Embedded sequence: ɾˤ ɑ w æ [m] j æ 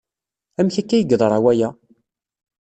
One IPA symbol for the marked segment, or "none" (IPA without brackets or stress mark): none